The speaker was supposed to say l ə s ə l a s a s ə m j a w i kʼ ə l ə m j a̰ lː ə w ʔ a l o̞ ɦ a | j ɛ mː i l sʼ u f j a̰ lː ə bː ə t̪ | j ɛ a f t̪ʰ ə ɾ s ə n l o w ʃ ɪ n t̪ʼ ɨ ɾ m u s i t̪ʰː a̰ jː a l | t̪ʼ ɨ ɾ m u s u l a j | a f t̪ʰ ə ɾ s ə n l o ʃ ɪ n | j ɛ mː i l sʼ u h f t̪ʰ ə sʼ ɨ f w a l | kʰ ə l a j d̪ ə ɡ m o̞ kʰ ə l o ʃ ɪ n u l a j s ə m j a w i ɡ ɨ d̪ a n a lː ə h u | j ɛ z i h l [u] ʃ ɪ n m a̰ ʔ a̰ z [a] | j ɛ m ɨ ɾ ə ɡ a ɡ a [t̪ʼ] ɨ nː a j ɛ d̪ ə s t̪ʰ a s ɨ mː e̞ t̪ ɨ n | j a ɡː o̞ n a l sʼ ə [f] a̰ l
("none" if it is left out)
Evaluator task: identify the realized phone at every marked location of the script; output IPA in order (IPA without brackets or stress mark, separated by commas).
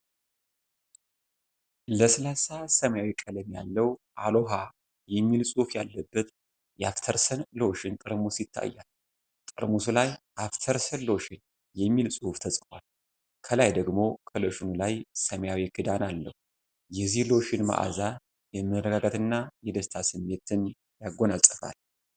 o, a, t̪, f